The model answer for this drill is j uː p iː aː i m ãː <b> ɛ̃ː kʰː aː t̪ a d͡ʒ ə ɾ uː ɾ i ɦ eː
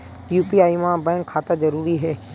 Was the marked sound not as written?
no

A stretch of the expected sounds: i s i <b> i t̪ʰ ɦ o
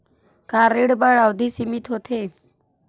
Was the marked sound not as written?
yes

